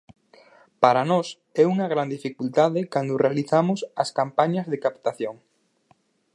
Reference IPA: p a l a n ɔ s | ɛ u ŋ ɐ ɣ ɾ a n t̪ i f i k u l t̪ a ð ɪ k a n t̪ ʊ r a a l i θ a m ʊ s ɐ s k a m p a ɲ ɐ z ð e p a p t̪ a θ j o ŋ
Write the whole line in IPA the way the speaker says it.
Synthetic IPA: p a ɾ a n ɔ s | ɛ u ŋ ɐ ɣ ɾ a n d̪ i f i k u l t̪ a ð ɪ k a n d̪ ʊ r e a l i θ a m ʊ s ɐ s k a m p a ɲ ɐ z ð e k a p t̪ a θ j o ŋ